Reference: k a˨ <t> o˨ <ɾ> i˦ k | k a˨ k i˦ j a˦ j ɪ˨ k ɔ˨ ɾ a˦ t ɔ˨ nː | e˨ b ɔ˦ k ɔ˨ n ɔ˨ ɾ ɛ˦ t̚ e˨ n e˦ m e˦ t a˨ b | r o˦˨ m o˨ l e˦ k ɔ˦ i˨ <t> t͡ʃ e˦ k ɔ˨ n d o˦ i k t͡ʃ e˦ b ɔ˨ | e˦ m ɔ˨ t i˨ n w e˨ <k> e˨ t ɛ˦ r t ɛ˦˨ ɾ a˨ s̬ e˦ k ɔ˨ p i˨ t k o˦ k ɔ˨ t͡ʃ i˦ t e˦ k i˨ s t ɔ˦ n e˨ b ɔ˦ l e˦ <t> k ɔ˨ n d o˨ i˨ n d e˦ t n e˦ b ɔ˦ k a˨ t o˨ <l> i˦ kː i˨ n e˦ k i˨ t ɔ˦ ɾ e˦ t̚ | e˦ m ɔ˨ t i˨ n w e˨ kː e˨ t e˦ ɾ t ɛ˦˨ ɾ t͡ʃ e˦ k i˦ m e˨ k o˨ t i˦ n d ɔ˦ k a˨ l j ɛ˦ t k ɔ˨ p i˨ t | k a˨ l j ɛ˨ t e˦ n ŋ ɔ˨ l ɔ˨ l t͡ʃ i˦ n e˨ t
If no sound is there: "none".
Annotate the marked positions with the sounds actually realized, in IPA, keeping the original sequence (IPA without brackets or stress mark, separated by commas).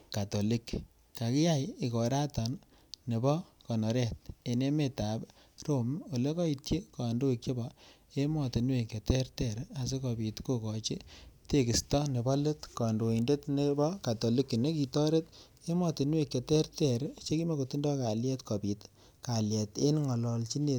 t, l, t, k, t, l